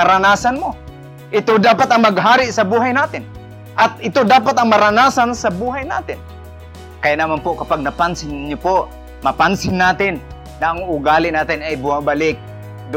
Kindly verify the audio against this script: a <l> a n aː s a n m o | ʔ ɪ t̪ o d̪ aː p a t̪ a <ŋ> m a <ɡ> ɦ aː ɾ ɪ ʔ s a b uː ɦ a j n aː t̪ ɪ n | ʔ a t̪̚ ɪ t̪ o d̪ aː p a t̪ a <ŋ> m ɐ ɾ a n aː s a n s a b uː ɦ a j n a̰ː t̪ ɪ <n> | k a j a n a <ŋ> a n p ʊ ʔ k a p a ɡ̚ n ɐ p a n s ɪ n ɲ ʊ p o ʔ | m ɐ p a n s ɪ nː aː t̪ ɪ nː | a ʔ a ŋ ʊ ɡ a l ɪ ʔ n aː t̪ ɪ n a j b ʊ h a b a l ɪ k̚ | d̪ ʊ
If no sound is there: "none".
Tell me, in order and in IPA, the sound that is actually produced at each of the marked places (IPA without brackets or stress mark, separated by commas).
ɾ, ŋ, ɡ, ŋ, n, m